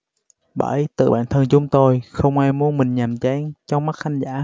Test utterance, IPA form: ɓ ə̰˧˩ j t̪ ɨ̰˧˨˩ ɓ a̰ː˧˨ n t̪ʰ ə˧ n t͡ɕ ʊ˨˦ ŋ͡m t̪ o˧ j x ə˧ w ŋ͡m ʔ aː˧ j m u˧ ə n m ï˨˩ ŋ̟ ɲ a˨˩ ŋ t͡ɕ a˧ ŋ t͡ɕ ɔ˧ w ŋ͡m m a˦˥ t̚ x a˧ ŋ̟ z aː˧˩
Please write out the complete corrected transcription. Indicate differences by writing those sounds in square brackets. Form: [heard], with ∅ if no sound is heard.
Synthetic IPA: ɓ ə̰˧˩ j t̪ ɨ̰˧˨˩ ɓ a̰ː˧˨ n t̪ʰ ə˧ n t͡ɕ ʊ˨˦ ŋ͡m t̪ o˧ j x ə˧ w ŋ͡m ʔ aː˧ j m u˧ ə n m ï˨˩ ŋ̟ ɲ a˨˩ [m] t͡ɕ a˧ ŋ t͡ɕ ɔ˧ w ŋ͡m m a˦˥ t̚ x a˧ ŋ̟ z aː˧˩